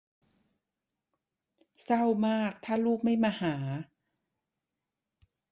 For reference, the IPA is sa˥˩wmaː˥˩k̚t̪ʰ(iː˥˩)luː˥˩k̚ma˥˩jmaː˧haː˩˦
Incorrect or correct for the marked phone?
incorrect: aː˥˩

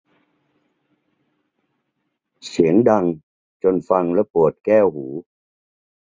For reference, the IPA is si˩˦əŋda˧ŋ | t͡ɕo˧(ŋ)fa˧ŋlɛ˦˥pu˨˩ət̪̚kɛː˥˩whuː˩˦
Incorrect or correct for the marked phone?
incorrect: n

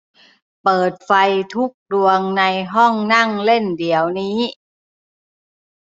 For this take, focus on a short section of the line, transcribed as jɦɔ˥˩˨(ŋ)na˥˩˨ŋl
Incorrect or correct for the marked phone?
correct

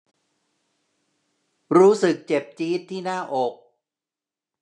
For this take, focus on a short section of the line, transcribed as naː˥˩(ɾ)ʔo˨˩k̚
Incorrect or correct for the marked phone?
incorrect: none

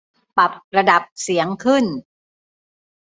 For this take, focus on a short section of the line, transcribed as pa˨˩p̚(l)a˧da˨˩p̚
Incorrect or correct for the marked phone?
incorrect: ɾ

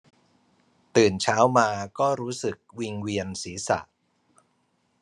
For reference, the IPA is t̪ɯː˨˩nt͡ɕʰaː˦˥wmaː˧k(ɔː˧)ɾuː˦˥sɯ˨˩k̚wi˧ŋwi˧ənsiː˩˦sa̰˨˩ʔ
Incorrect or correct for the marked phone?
incorrect: ɔː˥˩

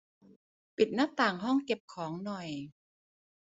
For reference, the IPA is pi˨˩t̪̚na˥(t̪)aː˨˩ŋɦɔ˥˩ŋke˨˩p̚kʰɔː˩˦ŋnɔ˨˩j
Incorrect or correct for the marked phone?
correct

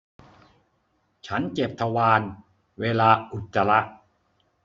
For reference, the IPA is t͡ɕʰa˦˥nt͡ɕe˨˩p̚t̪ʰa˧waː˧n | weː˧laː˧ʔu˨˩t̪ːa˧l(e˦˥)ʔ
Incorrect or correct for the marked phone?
incorrect: a˦˥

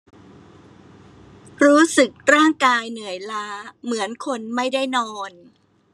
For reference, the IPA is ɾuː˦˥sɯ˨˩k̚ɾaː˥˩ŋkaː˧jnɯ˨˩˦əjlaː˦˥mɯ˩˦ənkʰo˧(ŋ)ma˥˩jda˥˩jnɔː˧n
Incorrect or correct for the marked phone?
incorrect: n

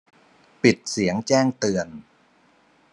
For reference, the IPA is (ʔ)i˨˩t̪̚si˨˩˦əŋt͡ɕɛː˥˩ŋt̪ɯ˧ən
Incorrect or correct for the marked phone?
incorrect: p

